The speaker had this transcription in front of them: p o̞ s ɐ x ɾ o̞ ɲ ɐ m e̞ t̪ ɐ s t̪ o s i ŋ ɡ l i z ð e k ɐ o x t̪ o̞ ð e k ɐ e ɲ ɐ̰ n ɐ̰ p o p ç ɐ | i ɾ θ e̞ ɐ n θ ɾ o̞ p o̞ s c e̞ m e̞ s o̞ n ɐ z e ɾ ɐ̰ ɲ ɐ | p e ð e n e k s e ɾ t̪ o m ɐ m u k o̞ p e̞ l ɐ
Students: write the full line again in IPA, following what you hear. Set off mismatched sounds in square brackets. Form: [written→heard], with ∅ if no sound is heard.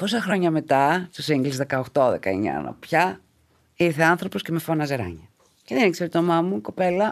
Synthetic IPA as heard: p o̞ s ɐ x ɾ o̞ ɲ ɐ m e̞ t̪ ɐ s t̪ o s i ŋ ɡ l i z ð e k ɐ o x t̪ o̞ ð e k ɐ e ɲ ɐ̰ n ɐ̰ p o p ç ɐ | i ɾ θ e̞ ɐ n θ ɾ o̞ p o̞ s c e̞ m e̞ [s→f] o̞ n ɐ z e ɾ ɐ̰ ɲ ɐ | [p→c] e ð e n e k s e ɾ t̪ o m ɐ m u k o̞ p e̞ l ɐ